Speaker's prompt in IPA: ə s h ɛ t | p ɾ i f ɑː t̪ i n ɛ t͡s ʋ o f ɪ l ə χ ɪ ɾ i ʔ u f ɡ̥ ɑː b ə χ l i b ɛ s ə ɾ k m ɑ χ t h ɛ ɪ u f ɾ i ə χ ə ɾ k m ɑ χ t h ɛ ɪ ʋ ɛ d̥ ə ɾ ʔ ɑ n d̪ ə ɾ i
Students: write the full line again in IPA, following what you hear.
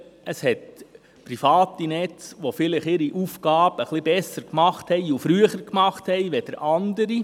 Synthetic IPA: ə s h ɛ t | p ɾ i f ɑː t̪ i n ɛ t͡s ʋ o f ɪ l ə χ ɪ ɾ i ʔ u f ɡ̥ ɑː b ə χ l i b ɛ s ə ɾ k m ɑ χ t h ɛ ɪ u f ɾ y ə χ ə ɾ k m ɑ χ t h ɛ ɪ ʋ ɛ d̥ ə ɾ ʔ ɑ n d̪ ə ɾ i